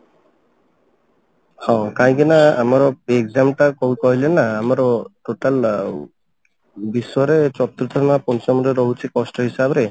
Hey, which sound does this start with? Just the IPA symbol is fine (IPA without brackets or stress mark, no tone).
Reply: h